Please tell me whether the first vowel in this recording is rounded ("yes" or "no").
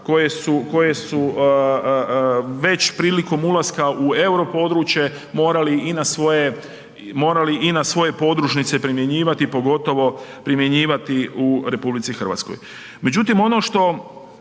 yes